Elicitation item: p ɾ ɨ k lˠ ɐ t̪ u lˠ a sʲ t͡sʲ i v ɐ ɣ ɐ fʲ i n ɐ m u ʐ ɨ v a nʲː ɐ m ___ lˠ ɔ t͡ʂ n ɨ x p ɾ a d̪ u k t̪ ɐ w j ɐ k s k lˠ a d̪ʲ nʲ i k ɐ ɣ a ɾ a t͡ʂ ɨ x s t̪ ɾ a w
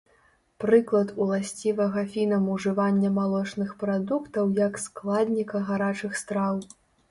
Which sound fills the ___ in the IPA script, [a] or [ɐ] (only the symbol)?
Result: a